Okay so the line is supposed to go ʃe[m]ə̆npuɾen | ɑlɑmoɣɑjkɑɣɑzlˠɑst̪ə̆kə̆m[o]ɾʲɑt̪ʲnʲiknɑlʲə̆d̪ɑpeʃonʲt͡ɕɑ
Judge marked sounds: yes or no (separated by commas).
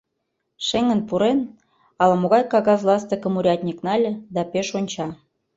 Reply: no, no